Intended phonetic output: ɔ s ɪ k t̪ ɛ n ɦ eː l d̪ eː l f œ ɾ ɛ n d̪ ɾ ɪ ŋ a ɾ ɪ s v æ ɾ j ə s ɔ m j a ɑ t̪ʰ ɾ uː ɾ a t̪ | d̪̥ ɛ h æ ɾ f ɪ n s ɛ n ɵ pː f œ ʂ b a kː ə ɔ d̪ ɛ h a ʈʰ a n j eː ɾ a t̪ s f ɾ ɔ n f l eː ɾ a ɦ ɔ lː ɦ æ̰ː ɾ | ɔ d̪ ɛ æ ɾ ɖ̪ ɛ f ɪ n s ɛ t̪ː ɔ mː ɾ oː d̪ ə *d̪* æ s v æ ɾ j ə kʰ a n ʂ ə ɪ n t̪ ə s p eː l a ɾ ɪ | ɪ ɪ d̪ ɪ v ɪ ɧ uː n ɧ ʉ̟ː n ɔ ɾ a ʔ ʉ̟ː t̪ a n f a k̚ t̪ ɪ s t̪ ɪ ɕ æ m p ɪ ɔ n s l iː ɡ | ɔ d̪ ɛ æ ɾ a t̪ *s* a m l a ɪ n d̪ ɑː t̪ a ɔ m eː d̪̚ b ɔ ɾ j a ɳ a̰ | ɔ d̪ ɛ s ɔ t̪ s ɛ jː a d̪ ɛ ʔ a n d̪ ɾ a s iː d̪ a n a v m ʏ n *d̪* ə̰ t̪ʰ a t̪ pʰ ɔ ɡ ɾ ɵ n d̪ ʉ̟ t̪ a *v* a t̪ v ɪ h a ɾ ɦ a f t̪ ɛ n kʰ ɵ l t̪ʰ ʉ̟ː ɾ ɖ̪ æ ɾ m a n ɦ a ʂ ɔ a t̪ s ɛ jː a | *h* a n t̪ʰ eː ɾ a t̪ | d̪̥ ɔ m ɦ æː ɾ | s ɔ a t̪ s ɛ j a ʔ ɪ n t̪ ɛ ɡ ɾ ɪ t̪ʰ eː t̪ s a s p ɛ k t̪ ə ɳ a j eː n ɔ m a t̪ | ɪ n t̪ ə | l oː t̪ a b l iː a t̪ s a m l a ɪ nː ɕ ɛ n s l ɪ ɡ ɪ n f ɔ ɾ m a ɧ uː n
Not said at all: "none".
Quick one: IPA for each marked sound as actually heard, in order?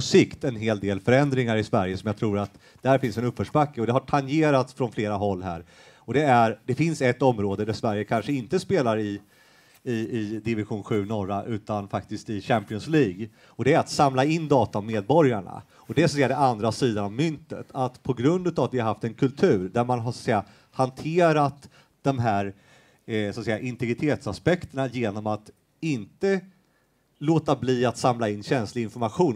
d̪, s, t̪, v, h

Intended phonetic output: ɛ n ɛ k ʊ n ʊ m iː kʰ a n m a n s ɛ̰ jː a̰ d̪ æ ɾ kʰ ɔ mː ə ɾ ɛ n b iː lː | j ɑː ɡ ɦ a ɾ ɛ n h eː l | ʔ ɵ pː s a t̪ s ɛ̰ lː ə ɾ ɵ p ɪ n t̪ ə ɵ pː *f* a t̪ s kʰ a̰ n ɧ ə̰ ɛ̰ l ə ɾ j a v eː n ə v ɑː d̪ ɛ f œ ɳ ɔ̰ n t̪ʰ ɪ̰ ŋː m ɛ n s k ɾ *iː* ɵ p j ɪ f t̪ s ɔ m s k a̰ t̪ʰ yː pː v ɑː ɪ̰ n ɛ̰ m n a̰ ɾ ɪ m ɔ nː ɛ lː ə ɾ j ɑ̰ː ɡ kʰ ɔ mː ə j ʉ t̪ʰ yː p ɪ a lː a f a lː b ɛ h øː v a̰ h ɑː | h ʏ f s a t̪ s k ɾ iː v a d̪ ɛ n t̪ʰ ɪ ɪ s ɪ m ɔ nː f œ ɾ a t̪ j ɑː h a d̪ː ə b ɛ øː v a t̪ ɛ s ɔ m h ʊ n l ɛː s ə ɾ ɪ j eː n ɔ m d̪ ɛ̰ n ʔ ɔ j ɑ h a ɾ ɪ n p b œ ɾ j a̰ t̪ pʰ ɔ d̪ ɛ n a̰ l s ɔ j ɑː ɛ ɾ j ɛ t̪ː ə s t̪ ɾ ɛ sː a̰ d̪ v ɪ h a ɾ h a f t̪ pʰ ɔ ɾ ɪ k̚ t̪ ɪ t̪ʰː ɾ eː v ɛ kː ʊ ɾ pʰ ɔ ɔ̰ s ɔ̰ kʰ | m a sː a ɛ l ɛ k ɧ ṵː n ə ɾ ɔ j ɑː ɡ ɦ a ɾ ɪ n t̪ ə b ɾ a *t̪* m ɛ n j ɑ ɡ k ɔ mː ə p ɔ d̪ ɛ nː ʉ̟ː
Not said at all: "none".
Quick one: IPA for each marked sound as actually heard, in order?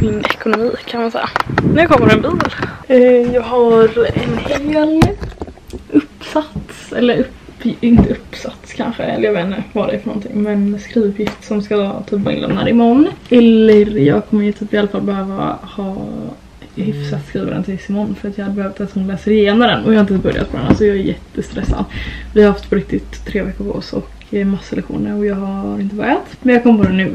s, iː, t̪

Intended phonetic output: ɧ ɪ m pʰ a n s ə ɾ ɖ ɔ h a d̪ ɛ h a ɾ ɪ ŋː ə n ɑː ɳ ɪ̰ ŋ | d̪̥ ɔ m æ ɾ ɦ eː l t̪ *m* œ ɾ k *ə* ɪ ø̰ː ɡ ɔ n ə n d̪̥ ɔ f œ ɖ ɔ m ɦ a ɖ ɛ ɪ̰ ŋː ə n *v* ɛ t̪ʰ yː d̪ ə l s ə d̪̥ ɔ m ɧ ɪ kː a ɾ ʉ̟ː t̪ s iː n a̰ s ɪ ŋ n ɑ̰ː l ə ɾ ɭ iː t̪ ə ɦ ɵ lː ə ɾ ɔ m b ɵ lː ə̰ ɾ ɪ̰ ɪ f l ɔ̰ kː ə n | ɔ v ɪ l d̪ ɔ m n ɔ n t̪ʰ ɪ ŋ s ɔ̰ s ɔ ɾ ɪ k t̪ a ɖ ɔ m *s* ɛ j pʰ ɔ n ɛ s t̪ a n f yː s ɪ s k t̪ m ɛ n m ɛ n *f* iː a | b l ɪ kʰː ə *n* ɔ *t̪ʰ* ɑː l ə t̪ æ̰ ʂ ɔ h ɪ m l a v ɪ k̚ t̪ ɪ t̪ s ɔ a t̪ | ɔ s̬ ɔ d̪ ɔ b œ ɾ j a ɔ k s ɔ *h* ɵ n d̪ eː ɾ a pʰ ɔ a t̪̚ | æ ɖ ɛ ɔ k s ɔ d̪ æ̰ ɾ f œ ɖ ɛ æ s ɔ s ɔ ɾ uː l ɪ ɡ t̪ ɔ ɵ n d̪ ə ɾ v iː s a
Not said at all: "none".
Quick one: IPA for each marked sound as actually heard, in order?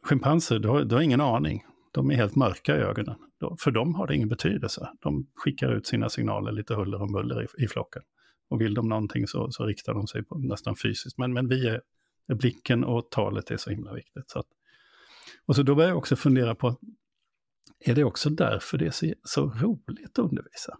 m, a, b, s, v, n, t̪ʰ, f

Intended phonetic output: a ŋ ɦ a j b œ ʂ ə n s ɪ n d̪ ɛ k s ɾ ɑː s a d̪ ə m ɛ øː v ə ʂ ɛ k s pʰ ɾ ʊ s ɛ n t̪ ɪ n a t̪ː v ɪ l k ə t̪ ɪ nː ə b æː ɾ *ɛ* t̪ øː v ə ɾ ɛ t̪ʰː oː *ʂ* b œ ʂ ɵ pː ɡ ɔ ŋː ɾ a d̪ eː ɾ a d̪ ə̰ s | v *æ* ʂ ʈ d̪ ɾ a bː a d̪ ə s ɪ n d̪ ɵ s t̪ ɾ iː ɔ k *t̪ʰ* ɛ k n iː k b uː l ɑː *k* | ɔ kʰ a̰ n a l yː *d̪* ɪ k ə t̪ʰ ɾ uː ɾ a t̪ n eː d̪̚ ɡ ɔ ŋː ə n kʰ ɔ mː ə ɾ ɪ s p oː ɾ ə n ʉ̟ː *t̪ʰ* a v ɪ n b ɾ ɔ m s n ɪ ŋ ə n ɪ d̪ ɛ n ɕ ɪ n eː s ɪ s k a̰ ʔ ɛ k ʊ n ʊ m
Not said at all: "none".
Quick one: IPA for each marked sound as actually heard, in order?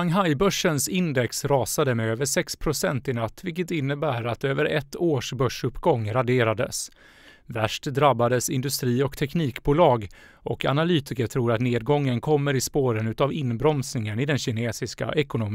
a, ʂ, æ, t̪ʰ, ɡ, t̪, t̪

